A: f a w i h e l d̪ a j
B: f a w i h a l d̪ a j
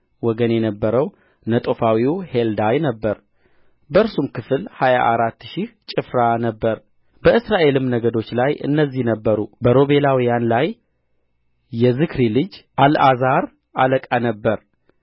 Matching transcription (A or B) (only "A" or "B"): A